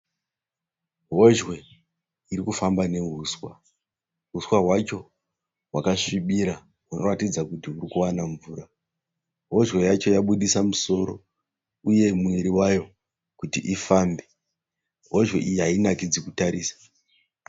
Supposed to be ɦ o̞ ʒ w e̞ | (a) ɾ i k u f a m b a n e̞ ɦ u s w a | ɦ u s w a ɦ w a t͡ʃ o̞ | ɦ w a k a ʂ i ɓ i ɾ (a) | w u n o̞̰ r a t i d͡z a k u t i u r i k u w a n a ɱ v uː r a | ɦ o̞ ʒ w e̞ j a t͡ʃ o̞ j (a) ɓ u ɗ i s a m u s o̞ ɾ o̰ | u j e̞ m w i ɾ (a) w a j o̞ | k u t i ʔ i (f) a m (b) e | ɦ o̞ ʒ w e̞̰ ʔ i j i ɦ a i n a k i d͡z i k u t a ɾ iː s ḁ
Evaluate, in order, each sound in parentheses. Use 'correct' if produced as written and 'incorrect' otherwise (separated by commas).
incorrect, correct, correct, incorrect, correct, correct